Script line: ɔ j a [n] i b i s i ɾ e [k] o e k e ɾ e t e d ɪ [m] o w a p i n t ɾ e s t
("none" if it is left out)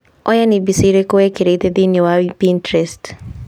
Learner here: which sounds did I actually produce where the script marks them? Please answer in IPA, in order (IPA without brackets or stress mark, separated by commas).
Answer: n, k, n